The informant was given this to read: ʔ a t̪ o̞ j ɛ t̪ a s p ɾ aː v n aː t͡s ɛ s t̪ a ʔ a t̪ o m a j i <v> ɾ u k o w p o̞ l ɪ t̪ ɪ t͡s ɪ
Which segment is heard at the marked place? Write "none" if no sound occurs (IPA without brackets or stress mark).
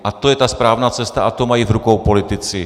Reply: v